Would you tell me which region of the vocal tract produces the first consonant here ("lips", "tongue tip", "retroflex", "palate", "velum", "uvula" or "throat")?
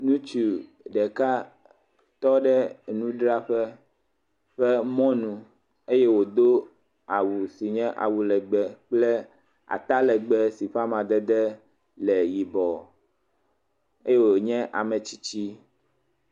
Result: tongue tip